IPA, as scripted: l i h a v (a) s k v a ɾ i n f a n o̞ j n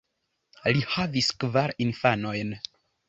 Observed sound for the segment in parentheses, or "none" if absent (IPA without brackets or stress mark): i